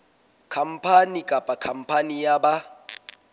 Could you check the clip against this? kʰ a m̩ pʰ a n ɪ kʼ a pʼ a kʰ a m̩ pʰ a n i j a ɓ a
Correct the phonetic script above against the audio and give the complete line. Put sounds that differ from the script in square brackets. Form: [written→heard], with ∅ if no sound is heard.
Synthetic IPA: kʰ a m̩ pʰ a n [ɪ→i] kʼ a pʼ a kʰ a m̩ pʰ a n i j a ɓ a